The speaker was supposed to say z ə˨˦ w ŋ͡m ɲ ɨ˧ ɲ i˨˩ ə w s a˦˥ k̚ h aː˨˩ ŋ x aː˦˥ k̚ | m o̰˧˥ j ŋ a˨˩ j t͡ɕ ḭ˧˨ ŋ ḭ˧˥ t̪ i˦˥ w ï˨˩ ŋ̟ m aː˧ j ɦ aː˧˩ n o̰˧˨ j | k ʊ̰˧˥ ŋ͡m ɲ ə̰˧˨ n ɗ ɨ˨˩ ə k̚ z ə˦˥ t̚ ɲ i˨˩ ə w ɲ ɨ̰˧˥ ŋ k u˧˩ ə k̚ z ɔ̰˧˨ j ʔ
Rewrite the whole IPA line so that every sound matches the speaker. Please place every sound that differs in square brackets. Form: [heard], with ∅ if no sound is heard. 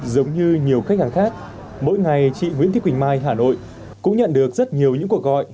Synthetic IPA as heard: z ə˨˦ w ŋ͡m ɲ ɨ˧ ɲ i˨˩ ə w [x] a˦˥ k̚ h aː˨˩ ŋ x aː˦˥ k̚ | m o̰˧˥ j ŋ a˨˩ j t͡ɕ ḭ˧˨ ŋ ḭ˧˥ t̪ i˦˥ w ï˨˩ ŋ̟ m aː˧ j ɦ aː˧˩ n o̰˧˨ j | k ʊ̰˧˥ ŋ͡m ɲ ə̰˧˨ n ɗ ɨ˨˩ ə k̚ z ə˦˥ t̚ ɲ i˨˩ ə w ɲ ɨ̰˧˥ ŋ k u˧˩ ə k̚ [ɣ] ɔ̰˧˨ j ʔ